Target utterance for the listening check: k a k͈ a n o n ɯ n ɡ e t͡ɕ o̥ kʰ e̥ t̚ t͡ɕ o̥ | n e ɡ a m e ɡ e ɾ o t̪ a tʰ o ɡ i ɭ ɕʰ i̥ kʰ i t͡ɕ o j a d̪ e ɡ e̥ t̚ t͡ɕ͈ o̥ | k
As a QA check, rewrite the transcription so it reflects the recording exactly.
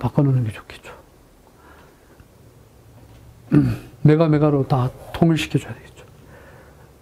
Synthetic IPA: p a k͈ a n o n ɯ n ɡ e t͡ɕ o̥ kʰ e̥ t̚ t͡ɕ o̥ | m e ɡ a m e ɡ a ɾ o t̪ a tʰ o ŋ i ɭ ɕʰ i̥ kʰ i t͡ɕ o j a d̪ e ɡ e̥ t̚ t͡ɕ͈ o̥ | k